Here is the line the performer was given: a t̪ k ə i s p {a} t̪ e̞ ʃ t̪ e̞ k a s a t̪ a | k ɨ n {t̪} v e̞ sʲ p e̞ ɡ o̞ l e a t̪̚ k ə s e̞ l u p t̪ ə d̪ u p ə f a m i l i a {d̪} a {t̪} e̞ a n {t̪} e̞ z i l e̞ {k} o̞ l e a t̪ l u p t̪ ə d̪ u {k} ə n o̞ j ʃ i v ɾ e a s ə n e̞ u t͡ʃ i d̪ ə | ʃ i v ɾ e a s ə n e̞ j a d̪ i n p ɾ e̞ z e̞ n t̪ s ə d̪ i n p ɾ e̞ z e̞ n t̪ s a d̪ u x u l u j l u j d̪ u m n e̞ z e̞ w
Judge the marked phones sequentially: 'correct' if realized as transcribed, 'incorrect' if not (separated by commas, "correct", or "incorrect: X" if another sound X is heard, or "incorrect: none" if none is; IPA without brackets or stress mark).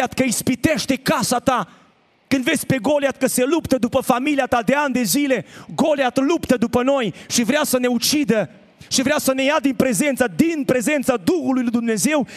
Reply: incorrect: i, incorrect: d̪, incorrect: t̪, incorrect: d̪, incorrect: d̪, incorrect: ɡ, incorrect: p